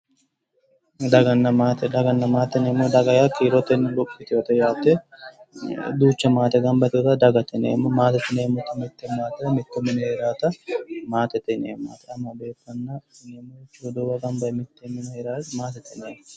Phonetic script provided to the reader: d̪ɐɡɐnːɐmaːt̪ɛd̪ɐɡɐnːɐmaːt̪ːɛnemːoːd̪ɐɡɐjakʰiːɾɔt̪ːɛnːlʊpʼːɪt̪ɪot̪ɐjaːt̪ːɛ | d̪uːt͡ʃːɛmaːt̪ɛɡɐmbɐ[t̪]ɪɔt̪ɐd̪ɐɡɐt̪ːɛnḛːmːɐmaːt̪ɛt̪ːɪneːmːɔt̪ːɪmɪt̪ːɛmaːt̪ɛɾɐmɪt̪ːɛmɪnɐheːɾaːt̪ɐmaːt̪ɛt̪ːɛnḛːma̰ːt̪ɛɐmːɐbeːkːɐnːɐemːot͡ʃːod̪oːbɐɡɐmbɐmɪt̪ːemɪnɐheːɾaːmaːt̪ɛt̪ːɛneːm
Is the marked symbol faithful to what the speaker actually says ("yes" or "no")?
yes